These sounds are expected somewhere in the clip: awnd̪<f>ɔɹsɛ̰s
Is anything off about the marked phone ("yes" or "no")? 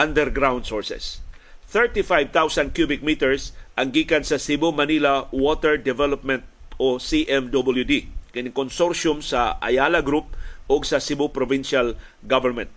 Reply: yes